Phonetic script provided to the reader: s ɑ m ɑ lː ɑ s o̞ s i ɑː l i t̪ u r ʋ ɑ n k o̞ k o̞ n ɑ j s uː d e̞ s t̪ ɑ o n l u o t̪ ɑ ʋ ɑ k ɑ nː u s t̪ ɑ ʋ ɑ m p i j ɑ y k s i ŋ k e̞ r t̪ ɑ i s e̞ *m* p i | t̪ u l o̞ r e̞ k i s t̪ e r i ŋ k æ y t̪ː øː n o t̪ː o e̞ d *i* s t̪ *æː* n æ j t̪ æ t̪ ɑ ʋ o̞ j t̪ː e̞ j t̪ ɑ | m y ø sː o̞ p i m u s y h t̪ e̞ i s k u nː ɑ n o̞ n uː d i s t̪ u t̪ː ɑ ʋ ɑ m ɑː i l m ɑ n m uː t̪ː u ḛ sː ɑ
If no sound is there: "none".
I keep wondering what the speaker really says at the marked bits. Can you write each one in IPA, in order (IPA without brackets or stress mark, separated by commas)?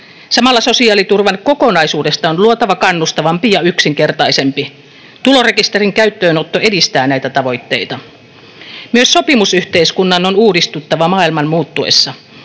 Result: m, i, æː